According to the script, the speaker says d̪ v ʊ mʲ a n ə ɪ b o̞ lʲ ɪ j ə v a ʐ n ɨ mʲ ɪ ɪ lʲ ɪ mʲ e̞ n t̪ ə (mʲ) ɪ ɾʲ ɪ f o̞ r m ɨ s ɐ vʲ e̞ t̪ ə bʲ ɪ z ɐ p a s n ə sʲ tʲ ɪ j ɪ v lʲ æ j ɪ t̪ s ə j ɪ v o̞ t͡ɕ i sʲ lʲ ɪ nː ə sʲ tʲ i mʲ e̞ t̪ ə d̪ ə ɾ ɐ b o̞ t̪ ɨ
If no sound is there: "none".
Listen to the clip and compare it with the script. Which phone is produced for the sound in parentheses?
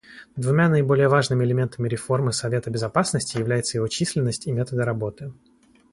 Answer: mʲ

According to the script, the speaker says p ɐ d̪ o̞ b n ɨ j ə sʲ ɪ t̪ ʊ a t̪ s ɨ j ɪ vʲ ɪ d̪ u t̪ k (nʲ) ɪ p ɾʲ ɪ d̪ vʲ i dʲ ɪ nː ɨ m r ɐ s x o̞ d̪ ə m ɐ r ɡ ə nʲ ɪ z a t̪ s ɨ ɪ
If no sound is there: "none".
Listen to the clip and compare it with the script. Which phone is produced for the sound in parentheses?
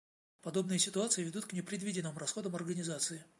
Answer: nʲ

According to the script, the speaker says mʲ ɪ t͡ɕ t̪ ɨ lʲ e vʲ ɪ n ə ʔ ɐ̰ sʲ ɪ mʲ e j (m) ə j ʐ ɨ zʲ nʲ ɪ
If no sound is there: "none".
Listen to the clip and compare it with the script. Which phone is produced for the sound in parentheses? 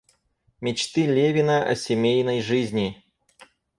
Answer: n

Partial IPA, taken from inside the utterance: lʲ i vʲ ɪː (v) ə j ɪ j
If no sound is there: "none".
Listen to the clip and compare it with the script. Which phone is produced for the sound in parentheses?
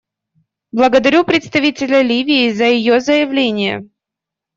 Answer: z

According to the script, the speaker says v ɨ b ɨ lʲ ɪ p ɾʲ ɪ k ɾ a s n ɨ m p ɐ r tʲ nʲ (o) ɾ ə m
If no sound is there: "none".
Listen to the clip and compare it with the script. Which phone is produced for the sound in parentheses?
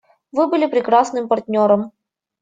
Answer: o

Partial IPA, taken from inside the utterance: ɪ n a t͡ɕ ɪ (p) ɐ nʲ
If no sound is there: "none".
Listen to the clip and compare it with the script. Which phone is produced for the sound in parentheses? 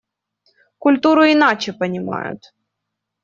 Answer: p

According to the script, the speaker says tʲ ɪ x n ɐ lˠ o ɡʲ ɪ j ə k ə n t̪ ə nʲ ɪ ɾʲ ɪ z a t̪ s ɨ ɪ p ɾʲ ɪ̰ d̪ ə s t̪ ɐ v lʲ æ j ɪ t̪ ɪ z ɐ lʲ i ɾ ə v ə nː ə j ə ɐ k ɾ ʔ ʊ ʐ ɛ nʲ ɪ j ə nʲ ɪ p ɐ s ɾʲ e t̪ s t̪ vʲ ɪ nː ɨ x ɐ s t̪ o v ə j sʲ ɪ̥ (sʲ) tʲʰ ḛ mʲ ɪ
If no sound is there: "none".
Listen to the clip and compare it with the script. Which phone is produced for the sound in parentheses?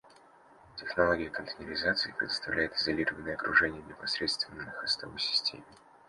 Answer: sʲ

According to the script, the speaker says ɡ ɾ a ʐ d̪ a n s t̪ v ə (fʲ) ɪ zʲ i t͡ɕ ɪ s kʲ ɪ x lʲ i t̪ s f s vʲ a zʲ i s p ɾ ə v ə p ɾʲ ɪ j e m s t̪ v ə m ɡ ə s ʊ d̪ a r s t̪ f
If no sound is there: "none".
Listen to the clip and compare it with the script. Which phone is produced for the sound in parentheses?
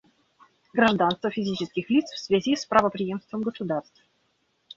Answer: fʲ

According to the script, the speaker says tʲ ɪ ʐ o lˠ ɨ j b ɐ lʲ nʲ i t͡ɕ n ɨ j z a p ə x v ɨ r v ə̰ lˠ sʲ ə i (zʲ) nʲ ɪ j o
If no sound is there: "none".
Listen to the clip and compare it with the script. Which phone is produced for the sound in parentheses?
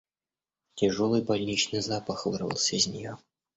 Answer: zʲ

